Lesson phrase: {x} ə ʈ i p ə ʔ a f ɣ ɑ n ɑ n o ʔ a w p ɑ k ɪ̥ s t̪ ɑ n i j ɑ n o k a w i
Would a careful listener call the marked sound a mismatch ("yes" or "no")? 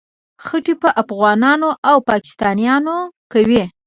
no